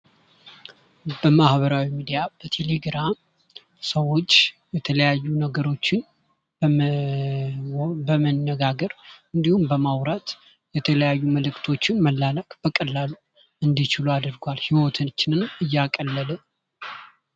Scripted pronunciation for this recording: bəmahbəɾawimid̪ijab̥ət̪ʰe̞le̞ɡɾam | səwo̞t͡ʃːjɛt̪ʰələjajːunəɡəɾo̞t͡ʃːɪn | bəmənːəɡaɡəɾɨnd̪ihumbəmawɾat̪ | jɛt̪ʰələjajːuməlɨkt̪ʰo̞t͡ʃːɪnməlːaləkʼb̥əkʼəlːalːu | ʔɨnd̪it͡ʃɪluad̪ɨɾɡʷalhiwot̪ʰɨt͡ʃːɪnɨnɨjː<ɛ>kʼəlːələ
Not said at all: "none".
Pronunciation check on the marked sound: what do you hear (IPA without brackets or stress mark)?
a